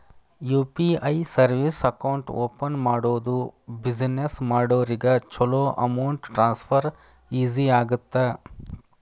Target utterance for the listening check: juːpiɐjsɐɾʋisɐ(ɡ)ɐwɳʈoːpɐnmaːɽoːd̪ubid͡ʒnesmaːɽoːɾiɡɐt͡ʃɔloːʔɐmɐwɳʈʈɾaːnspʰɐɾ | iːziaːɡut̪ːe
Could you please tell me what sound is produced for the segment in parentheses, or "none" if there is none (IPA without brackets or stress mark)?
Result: k